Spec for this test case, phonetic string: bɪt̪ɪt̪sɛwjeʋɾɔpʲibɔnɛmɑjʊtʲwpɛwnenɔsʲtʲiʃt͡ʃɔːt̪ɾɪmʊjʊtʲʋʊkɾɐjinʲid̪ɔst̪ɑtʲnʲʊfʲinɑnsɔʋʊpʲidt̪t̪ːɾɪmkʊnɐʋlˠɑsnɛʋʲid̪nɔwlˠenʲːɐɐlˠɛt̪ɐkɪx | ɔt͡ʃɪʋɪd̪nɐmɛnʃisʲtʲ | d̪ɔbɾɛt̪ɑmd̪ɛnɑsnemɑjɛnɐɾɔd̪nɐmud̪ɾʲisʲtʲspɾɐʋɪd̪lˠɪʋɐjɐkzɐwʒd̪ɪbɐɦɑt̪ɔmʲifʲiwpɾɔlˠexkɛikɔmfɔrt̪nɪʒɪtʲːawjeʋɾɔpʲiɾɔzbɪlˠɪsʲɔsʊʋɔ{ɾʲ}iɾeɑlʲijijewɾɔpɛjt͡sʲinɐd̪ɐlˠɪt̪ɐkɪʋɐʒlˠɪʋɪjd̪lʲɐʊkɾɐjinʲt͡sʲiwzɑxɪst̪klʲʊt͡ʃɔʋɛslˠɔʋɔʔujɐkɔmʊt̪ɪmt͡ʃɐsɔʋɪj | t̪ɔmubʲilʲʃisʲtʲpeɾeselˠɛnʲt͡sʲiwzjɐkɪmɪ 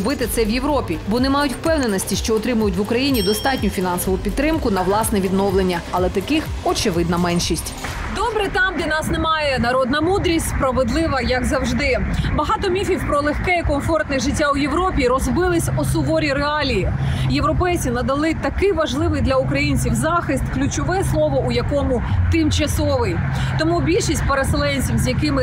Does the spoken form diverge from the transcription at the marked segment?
no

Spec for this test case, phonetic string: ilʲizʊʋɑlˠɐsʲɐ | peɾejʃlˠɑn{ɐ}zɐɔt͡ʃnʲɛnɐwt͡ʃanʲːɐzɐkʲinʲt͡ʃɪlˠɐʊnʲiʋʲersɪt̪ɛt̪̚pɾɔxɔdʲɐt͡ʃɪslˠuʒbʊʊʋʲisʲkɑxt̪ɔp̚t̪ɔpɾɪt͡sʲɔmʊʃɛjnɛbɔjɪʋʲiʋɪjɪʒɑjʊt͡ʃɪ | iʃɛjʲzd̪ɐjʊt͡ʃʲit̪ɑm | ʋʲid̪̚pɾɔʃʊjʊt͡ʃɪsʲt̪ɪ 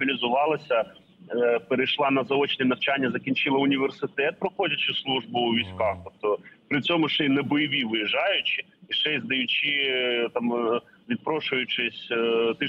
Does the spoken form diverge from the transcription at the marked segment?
no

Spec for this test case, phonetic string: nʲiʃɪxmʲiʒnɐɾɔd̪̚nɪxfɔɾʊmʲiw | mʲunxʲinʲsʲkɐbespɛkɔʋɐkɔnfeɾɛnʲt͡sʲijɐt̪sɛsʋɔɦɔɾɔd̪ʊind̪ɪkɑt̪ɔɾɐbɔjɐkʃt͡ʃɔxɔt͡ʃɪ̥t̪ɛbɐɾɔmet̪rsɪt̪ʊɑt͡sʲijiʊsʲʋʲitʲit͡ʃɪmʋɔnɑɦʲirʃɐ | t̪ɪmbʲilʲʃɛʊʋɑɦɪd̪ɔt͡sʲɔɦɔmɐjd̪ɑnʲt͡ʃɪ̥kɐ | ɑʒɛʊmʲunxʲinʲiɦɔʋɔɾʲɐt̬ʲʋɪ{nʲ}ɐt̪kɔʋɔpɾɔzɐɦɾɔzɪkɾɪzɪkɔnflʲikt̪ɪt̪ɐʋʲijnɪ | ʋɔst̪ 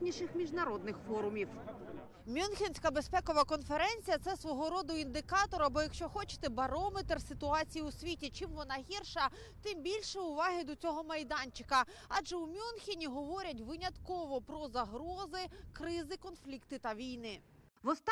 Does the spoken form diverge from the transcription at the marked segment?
no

